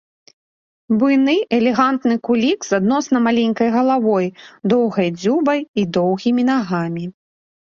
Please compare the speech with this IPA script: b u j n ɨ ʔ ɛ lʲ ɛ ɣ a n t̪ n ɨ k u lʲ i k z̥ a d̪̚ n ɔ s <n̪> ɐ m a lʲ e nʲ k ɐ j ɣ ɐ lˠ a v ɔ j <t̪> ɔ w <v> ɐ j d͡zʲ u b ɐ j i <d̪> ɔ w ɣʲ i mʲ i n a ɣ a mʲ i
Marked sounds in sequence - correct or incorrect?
correct, incorrect: d̪, incorrect: ɣ, correct

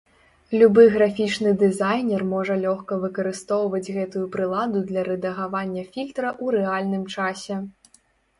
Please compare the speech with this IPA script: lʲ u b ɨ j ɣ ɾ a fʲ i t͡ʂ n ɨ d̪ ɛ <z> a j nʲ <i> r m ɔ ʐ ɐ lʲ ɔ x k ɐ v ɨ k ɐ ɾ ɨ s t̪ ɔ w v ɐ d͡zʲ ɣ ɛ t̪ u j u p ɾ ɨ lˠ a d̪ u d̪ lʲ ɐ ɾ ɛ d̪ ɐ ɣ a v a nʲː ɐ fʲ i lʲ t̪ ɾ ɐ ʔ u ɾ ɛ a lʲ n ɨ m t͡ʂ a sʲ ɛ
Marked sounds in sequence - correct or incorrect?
correct, incorrect: ɛ

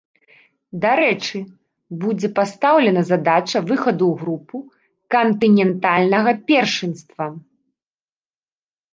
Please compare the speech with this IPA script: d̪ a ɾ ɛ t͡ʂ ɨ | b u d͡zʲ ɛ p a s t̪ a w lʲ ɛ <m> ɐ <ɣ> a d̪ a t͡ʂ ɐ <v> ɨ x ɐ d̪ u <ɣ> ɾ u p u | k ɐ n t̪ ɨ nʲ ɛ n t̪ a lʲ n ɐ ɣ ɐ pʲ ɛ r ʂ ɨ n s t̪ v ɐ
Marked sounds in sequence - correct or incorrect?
incorrect: n, incorrect: z, correct, correct

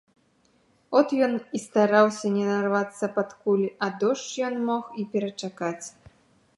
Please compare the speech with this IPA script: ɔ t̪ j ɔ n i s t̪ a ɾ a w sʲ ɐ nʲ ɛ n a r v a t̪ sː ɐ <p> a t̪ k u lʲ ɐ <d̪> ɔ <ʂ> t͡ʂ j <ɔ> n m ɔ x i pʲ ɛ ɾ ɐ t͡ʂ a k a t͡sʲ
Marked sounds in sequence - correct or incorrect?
correct, correct, correct, correct

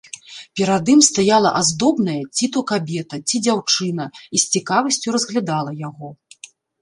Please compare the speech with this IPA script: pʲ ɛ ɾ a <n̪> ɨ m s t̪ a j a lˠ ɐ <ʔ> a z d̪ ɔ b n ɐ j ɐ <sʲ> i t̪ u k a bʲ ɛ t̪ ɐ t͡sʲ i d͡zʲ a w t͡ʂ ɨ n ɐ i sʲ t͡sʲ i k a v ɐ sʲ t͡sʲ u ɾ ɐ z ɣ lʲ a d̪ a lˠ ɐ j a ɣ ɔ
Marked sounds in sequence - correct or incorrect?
incorrect: d̪, correct, incorrect: t͡sʲ

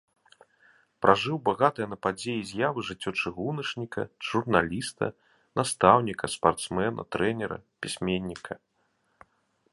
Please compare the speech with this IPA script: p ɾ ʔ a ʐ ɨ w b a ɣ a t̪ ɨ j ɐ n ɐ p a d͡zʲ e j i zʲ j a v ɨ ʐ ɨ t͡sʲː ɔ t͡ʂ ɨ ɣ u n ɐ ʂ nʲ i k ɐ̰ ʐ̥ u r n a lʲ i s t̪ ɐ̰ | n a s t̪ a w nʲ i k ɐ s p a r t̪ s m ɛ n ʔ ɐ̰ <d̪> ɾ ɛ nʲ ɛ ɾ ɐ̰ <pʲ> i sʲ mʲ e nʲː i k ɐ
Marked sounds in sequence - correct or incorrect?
incorrect: t̪, correct

